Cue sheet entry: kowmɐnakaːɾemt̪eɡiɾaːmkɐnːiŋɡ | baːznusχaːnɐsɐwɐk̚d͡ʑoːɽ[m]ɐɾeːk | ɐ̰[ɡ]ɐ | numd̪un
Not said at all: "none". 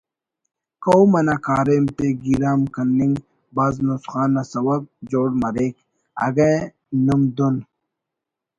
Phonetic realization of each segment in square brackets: m, ɡ

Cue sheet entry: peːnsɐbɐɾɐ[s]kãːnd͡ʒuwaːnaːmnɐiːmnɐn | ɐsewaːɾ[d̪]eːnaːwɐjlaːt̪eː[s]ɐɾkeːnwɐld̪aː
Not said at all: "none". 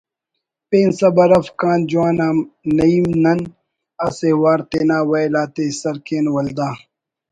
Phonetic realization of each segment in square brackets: f, t̪, s

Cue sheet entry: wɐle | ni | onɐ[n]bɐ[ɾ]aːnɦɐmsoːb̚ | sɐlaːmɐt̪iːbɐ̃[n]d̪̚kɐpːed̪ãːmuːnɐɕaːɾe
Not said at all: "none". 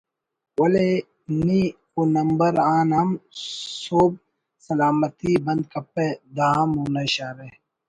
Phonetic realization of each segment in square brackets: m, ɾ, n

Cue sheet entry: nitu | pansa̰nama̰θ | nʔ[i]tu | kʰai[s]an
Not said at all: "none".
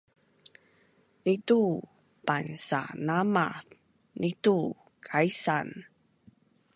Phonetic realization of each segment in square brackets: i, s

